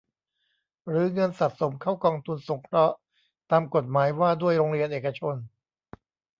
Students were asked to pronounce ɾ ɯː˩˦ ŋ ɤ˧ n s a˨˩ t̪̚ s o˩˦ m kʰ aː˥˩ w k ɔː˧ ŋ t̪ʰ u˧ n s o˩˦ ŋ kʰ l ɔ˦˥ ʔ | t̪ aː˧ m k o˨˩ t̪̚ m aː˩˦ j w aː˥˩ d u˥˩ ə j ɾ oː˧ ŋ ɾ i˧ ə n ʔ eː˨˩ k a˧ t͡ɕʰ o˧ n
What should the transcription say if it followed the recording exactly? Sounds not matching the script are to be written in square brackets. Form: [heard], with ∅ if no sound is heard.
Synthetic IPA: ɾ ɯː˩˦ ŋ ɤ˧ n s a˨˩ t̪̚ s o˩˦ m kʰ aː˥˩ w k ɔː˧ ŋ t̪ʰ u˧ n s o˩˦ ŋ kʰ [ɾ] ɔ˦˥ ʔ | t̪ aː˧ m k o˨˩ t̪̚ m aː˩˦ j w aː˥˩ d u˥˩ ə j ɾ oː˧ ŋ ɾ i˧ ə n ʔ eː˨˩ k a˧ t͡ɕʰ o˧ n